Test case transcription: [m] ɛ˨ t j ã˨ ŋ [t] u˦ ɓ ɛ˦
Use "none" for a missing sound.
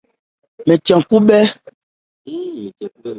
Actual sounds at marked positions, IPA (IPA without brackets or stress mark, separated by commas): m, k